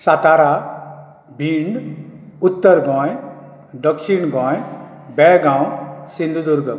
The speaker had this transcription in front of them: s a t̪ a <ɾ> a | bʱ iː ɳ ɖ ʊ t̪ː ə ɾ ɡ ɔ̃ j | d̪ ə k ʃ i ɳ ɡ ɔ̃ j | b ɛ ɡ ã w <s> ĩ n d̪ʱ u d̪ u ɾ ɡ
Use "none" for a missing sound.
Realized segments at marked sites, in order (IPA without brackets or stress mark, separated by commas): ɾ, s